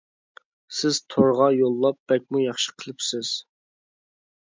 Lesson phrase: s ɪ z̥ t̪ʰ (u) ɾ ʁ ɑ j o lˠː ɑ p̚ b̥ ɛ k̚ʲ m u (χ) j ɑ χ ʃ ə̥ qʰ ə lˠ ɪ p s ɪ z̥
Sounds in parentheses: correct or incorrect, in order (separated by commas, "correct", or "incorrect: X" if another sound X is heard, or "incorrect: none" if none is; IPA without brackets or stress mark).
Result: incorrect: o, incorrect: none